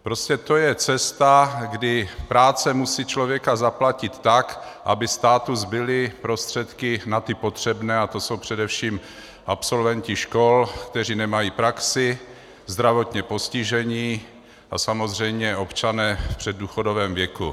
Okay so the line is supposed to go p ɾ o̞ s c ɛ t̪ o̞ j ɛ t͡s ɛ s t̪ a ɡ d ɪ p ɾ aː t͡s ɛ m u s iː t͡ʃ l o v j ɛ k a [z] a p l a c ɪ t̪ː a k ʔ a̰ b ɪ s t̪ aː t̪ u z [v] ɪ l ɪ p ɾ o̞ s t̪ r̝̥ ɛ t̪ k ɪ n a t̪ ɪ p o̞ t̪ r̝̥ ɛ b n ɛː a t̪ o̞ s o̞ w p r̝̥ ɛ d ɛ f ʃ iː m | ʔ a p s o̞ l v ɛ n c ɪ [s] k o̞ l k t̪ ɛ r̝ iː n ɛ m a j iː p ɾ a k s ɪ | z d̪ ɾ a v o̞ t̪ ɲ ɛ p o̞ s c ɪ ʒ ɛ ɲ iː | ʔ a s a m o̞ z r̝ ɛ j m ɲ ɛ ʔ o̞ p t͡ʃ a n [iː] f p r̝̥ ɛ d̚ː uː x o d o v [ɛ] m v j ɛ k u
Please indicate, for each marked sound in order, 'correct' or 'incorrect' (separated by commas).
correct, incorrect, incorrect, incorrect, incorrect